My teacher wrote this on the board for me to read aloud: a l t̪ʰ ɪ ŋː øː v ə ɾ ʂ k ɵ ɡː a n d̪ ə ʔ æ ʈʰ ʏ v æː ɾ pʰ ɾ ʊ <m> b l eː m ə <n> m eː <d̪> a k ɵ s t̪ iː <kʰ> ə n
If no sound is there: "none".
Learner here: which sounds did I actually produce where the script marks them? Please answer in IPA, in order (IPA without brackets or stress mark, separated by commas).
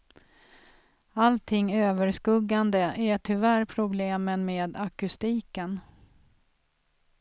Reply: none, n, d̪, k